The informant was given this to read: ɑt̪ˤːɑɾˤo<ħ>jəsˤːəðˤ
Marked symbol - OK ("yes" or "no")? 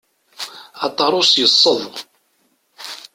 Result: no